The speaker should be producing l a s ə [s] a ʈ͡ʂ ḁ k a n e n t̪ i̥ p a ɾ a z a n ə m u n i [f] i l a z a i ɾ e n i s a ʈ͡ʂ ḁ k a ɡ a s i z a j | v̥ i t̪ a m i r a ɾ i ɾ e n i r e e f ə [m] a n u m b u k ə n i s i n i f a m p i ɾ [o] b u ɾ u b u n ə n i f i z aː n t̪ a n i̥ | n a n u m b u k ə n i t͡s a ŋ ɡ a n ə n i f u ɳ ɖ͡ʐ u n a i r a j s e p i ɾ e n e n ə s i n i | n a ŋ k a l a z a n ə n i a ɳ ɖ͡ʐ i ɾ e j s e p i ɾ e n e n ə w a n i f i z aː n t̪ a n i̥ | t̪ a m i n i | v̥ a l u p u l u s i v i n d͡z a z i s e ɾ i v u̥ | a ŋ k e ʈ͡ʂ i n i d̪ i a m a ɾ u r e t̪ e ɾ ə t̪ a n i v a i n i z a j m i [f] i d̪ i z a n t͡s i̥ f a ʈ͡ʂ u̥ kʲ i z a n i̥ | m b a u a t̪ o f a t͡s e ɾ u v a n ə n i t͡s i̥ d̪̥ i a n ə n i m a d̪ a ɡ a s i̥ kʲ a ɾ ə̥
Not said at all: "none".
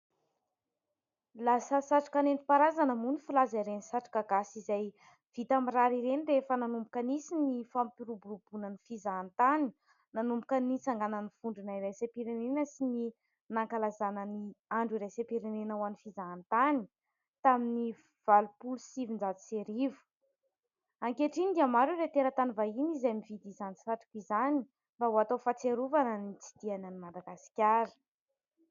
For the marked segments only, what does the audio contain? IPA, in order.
s, f, n, u, v

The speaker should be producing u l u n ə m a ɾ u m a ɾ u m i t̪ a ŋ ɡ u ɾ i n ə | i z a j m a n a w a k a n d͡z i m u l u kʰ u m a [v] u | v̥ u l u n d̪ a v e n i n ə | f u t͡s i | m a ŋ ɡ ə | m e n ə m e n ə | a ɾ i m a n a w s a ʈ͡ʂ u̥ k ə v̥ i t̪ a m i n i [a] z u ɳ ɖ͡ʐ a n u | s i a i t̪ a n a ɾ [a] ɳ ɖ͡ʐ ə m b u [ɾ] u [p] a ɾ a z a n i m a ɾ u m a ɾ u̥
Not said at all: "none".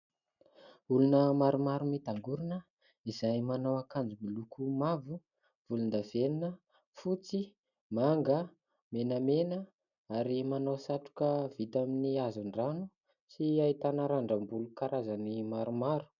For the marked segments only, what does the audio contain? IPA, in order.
v, a, a, l, k

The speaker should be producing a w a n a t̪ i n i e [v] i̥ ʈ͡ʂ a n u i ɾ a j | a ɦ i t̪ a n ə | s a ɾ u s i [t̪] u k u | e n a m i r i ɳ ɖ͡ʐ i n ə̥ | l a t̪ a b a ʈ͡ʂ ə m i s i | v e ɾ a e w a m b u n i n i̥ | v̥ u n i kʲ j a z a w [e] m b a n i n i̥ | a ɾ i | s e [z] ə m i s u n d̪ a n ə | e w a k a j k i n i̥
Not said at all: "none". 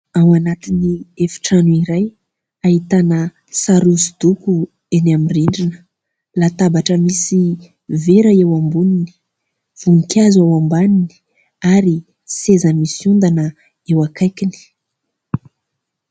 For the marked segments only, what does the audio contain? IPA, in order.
f, d̪, a, z

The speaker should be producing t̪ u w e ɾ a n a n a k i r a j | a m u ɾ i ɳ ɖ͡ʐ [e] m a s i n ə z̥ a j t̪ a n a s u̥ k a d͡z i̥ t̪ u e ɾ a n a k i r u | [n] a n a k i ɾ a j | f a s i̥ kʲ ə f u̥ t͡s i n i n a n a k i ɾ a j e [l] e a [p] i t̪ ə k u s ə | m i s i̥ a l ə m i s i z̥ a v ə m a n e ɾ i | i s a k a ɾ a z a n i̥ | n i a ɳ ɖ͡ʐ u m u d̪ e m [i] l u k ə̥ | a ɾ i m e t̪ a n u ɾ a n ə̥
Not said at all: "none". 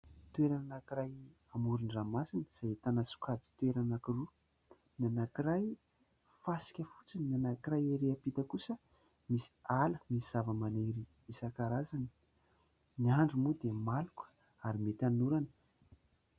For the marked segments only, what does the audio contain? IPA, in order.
a, n, ɾ, p, a

